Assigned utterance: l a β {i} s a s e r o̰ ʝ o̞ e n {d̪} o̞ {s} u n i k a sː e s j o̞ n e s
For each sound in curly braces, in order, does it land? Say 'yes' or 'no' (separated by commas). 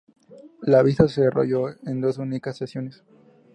yes, yes, yes